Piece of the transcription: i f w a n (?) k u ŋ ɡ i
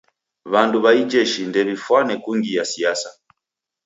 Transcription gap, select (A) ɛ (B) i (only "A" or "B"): A